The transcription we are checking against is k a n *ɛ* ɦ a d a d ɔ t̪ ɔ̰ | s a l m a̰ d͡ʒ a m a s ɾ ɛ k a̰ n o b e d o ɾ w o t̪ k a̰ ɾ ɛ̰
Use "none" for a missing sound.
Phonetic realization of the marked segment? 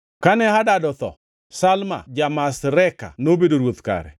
ɛ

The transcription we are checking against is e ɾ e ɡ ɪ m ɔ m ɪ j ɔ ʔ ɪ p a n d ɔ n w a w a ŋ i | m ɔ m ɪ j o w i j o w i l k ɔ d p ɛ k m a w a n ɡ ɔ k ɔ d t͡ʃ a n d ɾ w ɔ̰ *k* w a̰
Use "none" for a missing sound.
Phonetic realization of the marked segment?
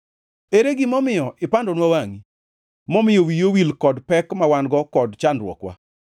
k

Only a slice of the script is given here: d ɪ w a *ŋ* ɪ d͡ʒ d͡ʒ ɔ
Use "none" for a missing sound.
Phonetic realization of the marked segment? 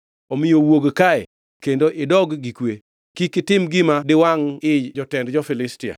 ŋ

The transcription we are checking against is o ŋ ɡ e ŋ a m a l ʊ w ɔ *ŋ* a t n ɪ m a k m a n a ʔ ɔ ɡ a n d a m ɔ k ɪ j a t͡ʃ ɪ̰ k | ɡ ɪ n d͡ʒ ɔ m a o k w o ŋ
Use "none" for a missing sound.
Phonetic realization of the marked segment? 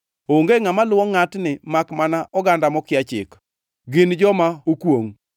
ŋ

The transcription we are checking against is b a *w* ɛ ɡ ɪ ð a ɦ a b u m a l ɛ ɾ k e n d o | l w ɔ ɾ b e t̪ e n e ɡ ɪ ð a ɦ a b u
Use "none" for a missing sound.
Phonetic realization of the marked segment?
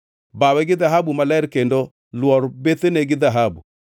w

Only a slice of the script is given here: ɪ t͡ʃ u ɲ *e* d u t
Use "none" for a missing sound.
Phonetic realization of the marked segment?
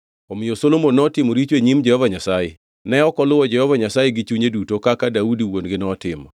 e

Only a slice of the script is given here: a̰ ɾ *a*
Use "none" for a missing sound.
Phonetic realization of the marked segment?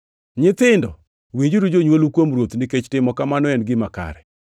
ɛ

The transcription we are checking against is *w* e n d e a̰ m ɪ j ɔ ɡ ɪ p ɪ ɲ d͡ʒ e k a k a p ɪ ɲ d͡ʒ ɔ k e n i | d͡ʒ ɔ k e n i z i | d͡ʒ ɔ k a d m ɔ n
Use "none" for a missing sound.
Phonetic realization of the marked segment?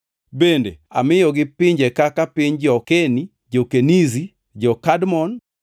b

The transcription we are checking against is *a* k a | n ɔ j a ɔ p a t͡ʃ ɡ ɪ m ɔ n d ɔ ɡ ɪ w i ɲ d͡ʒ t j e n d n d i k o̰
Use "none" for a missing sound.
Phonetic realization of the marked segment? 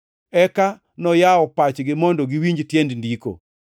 ɛ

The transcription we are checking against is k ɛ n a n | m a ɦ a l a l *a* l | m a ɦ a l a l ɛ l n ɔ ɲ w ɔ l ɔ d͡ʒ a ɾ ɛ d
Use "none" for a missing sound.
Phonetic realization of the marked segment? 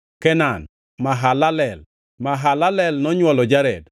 ɛ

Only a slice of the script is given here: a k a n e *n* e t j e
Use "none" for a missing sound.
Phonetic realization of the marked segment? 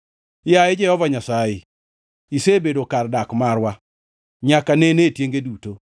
n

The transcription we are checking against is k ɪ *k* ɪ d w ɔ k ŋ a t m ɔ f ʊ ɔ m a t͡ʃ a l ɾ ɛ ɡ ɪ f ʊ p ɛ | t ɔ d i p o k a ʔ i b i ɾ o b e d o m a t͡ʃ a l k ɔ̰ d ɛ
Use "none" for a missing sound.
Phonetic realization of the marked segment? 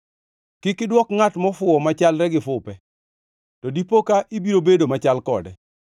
k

